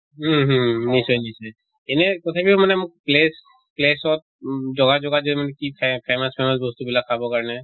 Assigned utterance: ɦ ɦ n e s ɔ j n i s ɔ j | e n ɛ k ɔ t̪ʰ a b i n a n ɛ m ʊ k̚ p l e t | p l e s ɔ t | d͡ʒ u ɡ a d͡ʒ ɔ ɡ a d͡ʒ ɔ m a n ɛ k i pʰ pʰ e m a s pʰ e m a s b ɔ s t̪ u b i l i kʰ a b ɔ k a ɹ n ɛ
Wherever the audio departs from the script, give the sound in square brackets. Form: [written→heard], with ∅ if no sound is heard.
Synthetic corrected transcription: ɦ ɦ n [e→i] s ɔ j n i s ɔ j | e n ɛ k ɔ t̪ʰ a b i [n→m] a n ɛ m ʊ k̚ p l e [t→s] | p l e s ɔ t | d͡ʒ [u→ɔ] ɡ a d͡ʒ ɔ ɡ a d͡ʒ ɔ m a n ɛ k i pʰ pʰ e m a s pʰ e m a s b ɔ s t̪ u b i l [i→a] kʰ a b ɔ k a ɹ n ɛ

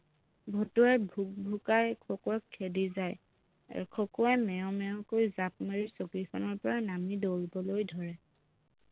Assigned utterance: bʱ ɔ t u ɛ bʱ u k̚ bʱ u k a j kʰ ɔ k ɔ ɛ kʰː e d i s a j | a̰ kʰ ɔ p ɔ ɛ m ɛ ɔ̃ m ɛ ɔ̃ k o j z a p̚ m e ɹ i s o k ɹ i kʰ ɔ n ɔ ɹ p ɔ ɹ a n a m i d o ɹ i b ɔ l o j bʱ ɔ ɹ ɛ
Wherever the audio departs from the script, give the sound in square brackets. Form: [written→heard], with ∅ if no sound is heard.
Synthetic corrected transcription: bʱ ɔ t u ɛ bʱ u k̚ bʱ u k a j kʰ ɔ k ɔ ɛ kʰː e d i [s→z] a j | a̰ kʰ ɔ [p→k] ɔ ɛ m ɛ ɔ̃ m ɛ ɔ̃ k o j z a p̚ m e ɹ i s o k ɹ i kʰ ɔ n ɔ ɹ p ɔ ɹ a n a m i d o ɹ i b ɔ l o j [bʱ→dʱ] ɔ ɹ ɛ

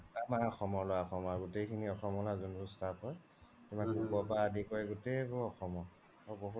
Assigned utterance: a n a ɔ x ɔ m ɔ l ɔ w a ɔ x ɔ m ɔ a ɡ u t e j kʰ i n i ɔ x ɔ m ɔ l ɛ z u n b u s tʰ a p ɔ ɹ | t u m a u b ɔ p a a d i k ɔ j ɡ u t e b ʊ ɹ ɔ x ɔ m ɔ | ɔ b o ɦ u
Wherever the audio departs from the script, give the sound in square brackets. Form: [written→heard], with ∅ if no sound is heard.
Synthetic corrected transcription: a [n→m] a ɔ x ɔ m ɔ l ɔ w a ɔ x ɔ m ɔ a ɡ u t e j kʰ i n i ɔ x ɔ m ɔ l [ɛ→a] z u n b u s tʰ a p ɔ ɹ | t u m a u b ɔ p a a d i k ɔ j ɡ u t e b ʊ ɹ ɔ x ɔ m ɔ | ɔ b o ɦ u

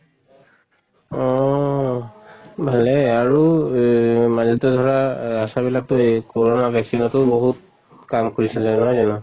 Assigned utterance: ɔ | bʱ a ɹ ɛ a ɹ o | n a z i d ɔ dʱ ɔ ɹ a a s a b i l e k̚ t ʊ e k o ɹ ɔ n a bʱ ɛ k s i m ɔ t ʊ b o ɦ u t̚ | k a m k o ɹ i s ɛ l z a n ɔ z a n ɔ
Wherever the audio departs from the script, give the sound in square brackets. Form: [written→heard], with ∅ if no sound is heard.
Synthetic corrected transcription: ɔ | bʱ a [ɹ→l] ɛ a ɹ [o→u] | [n→m] a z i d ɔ dʱ ɔ ɹ a a s a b i l [e→a] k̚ t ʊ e k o ɹ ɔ n a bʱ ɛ k s i [m→n] ɔ t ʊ b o ɦ u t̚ | k a m k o ɹ i s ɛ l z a n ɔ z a n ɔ

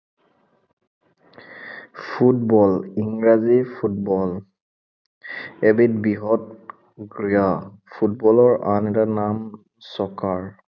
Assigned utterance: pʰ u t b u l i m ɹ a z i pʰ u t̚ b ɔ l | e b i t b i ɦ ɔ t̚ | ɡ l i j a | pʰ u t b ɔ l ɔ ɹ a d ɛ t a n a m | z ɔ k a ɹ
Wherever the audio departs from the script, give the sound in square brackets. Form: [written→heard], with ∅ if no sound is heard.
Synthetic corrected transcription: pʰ u t b [u→ɔ] l i [m→ŋ] ɹ a z i pʰ u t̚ b ɔ l | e b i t b i ɦ ɔ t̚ | ɡ [l→ɹ] i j a | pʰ u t b ɔ l ɔ ɹ a [d→n] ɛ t a n a m | [z→s] ɔ k a ɹ

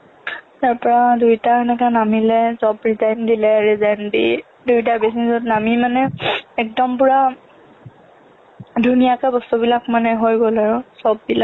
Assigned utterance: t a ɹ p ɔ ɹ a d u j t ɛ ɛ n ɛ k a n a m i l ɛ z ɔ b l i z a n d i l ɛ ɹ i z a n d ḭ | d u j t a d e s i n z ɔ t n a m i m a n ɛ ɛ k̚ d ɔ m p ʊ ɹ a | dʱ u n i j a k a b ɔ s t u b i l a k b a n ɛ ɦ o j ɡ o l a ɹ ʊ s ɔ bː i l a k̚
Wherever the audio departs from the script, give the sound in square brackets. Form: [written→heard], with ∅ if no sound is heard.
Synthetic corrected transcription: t a ɹ p ɔ ɹ a d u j t [ɛ→a] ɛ n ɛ k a n a m i l ɛ z ɔ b [l→ɹ] i z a n d i l ɛ ɹ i z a n d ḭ | d u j t a [d→b] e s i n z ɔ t n a m i m a n ɛ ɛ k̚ d ɔ m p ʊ ɹ a | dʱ u n i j a k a b ɔ s t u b i l a k [b→m] a n ɛ ɦ o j ɡ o l a ɹ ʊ s ɔ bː i l a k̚

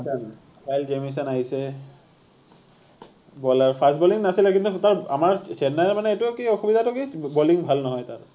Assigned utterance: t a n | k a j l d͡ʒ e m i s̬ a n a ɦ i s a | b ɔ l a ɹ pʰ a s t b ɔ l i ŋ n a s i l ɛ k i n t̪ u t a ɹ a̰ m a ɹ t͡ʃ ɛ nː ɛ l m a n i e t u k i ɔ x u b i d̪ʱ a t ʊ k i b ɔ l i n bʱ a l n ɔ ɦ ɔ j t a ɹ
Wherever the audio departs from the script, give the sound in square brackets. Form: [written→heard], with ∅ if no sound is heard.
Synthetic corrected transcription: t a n | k a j l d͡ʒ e m i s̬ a n a ɦ i s [a→ɛ] | b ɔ l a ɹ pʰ a s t b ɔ l i ŋ n a s i l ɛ k i n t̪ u t a ɹ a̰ m a ɹ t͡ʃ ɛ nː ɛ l m a n [i→ɛ] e t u k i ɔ x u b i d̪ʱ a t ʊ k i b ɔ l i [n→ŋ] bʱ a l n ɔ ɦ ɔ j t a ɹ

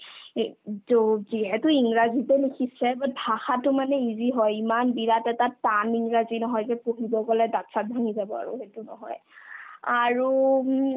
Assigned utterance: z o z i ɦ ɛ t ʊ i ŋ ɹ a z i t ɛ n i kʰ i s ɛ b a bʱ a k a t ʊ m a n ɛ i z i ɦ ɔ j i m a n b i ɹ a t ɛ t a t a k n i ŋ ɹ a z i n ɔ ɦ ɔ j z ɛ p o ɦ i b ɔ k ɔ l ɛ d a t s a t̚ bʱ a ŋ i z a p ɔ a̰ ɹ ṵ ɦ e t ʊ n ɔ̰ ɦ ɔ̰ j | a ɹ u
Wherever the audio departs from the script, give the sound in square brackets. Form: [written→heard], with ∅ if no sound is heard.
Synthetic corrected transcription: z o z i ɦ ɛ t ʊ i ŋ ɹ a z i t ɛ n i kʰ i s ɛ b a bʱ a [k→x] a t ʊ m a n ɛ i z i ɦ ɔ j i m a n b i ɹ a t ɛ t a t a [k→∅] n i ŋ ɹ a z i n ɔ ɦ ɔ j z ɛ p o ɦ i b ɔ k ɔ l ɛ d a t s a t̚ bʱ a ŋ i z a [p→b] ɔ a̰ ɹ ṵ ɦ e t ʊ n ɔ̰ ɦ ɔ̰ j | a ɹ u

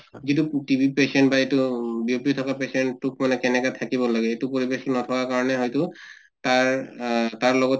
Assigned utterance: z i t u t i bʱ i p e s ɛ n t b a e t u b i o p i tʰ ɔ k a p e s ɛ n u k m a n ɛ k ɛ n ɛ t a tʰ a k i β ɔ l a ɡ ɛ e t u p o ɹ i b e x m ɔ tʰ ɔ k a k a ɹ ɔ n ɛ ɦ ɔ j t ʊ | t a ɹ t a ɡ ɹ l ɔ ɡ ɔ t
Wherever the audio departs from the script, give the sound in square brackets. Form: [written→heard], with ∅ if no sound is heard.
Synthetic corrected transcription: z i t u t i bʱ i p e s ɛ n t b a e t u b i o p i tʰ ɔ k a p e s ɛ n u k m a n ɛ k ɛ n ɛ [t→k] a tʰ a k i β ɔ l a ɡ ɛ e t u p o ɹ i b e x [m→n] ɔ tʰ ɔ k a k a ɹ ɔ n ɛ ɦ ɔ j t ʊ | t a ɹ t a [ɡ→∅] ɹ l ɔ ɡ ɔ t

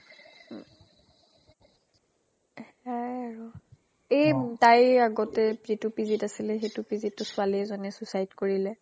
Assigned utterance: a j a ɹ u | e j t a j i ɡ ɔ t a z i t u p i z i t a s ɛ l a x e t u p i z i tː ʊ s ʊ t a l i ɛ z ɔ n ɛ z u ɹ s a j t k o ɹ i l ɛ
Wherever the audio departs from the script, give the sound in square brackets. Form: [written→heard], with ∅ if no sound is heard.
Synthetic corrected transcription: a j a ɹ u | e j t a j [i→a] ɡ ɔ t [a→ɛ] z i t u p i z i t a s [ɛ→i] l [a→ɛ] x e t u p i z i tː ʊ s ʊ [t→∅] a l i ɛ z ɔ n ɛ [z→s] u [ɹ→∅] s a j t k o ɹ i l ɛ

